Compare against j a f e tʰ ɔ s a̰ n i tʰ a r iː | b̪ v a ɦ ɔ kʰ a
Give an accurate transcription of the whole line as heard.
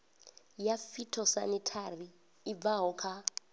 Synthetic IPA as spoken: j a f i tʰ ɔ s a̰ n i tʰ a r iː | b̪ v a ɦ ɔ kʰ a

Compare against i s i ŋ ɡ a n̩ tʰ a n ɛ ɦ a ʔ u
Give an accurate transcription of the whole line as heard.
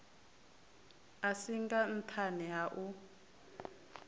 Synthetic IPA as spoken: a s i ŋ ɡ a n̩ tʰ a n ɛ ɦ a ʔ u

